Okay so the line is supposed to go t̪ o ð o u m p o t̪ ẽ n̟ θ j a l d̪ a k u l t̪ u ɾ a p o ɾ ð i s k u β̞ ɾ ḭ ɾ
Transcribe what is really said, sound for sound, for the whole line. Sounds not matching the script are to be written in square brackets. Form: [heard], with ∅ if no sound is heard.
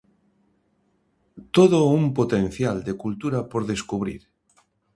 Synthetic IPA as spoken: t̪ o ð o u m p o t̪ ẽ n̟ θ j a l d̪ [e] k u l t̪ u ɾ a p o ɾ ð [e] s k u β̞ ɾ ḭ ɾ